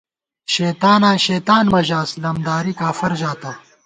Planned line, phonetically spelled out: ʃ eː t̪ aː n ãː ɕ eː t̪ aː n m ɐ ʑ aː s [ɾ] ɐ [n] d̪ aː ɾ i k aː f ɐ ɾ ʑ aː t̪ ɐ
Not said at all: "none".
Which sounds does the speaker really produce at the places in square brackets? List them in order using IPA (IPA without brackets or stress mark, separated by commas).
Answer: l, m